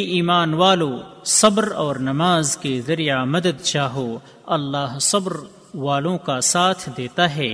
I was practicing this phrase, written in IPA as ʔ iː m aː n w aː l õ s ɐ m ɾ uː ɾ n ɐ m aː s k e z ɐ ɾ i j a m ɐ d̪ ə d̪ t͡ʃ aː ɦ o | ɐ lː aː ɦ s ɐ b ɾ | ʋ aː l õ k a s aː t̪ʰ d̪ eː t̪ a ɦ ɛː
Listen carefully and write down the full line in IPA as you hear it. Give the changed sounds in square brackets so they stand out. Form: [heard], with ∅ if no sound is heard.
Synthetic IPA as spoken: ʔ iː m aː n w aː l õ s ɐ [b] ɾ [ɔː] ɾ n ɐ m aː [z] k e z ɐ ɾ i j a m ɐ d̪ ə d̪ t͡ʃ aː ɦ o | ɐ lː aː ɦ s ɐ b ɾ | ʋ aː l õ k a s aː t̪ʰ d̪ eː t̪ a ɦ ɛː